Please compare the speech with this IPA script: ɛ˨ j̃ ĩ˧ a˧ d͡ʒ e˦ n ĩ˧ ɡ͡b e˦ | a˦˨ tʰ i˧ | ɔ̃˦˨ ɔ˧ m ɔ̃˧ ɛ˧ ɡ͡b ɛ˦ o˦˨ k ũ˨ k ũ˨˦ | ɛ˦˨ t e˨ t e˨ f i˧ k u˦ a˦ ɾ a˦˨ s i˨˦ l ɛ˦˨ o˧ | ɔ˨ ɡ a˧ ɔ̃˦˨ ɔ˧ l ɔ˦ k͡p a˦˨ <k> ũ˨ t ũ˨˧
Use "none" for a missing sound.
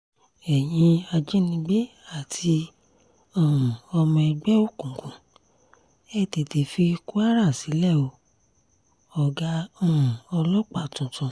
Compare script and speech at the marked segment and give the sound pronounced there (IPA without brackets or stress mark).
t